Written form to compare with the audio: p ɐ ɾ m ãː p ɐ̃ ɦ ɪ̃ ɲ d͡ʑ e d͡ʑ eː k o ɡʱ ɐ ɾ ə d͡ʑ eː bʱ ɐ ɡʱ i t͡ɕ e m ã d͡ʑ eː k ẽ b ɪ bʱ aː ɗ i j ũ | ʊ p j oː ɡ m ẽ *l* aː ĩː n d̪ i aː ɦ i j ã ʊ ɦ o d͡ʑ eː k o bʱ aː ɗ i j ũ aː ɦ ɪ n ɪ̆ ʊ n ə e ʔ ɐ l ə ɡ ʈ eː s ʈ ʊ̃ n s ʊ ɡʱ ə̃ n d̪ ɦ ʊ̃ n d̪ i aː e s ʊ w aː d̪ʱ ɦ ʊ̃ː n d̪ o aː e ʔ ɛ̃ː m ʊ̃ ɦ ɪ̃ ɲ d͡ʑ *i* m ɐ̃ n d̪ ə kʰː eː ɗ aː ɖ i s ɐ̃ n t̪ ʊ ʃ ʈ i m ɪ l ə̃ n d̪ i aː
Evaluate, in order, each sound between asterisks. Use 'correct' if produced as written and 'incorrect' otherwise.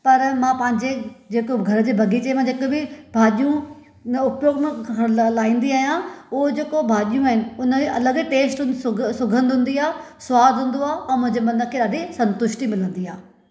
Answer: correct, incorrect

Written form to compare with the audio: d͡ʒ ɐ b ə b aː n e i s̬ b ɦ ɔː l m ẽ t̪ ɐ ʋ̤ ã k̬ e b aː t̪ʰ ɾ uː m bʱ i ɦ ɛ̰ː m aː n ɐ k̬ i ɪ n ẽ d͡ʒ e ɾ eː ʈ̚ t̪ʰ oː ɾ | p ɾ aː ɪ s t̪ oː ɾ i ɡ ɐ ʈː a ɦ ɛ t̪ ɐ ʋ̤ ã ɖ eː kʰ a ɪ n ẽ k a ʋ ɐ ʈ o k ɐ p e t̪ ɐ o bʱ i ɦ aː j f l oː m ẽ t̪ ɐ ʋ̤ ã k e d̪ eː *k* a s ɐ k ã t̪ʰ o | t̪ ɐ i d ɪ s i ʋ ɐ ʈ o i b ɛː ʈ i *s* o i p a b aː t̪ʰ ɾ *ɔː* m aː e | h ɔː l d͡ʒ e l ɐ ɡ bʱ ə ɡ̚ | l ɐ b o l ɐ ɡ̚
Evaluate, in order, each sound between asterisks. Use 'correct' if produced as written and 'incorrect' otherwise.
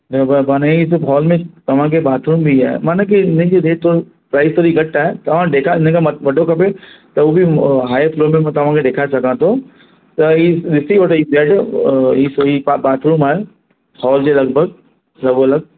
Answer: incorrect, correct, incorrect

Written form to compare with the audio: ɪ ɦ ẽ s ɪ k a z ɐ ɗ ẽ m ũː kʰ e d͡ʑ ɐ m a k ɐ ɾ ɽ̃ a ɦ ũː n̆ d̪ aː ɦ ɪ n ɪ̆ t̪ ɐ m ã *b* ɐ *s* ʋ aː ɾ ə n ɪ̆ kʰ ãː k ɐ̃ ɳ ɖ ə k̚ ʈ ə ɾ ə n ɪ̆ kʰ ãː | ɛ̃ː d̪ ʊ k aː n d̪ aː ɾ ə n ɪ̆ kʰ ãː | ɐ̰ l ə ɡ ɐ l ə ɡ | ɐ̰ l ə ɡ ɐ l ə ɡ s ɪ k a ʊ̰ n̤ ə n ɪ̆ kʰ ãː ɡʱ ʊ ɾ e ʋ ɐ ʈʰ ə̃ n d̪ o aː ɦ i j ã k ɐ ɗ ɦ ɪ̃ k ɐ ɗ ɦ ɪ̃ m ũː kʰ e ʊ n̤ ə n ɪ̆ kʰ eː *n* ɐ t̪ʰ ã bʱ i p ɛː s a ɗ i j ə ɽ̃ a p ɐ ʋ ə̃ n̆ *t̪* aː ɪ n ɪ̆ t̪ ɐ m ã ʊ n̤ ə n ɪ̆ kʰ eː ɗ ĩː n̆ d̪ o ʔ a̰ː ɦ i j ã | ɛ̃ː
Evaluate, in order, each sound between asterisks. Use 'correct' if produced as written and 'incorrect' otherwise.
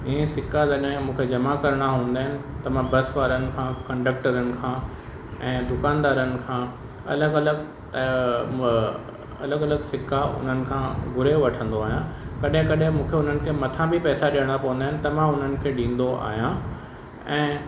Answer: correct, correct, incorrect, incorrect

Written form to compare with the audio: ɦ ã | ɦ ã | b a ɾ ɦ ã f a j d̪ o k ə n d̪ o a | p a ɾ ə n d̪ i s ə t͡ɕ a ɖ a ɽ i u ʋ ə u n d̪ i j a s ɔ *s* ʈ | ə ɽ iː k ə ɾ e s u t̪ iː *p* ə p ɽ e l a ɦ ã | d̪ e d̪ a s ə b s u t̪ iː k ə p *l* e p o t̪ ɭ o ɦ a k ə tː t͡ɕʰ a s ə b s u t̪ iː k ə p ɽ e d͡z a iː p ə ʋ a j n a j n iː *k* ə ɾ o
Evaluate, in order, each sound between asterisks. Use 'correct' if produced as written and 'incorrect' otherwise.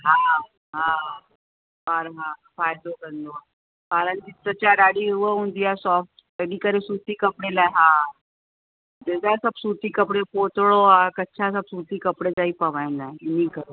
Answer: incorrect, incorrect, incorrect, correct

